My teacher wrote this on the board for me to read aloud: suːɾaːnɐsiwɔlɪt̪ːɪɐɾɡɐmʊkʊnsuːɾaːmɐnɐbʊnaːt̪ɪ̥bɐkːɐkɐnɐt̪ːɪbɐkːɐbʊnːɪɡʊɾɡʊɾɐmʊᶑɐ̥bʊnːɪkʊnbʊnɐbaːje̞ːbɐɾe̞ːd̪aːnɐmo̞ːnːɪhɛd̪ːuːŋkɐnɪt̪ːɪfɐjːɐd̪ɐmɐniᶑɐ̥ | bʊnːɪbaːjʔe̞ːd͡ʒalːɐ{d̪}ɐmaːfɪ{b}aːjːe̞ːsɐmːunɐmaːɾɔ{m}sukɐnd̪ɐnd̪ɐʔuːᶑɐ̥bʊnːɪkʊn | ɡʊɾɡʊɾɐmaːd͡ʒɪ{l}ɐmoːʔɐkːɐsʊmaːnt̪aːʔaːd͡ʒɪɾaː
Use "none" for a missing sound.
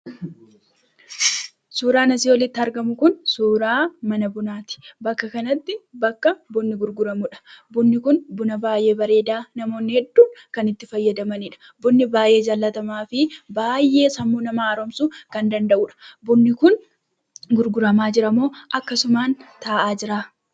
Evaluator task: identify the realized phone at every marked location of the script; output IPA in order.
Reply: t̪, b, m, ɾ

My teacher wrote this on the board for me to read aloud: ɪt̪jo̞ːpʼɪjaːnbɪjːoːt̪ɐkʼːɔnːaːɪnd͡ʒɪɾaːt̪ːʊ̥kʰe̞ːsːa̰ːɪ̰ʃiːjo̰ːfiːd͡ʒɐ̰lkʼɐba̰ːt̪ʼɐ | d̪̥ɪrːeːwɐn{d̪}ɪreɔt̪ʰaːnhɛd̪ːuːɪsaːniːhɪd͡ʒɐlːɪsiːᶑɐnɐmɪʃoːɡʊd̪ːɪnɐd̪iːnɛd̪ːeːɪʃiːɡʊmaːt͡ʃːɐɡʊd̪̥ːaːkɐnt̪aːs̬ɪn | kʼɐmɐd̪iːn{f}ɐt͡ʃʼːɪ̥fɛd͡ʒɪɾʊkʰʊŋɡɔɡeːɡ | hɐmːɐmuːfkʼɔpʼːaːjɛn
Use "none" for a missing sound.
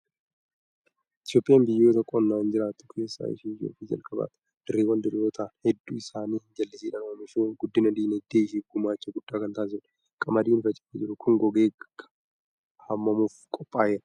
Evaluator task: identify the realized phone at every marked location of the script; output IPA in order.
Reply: d̪, f

